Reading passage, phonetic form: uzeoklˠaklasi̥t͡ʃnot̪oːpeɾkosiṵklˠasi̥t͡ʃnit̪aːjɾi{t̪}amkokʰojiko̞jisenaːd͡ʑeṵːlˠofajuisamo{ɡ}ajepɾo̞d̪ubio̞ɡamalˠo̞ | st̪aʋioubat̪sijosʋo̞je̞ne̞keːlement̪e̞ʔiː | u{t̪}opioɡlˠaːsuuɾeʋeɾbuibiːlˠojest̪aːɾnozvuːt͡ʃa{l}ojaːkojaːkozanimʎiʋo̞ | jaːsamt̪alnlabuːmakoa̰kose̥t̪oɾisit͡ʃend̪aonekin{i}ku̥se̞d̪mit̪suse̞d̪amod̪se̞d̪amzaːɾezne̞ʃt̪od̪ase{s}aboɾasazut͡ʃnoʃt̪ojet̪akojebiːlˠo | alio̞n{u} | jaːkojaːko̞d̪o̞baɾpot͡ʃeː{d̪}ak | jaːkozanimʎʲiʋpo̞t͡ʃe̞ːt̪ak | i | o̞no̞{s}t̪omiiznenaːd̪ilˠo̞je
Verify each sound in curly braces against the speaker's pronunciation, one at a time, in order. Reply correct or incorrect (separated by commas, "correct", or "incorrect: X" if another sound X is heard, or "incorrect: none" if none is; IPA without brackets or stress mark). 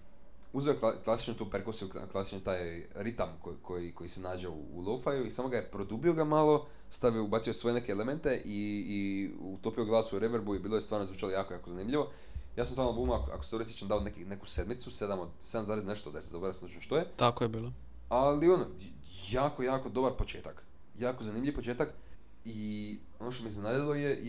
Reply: correct, correct, correct, correct, incorrect: e, incorrect: z, incorrect: o, incorrect: t̪, incorrect: ʃ